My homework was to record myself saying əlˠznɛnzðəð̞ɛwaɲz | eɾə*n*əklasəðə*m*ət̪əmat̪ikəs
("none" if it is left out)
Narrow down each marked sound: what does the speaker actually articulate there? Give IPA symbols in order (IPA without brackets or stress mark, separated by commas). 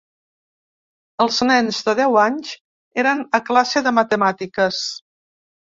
n, m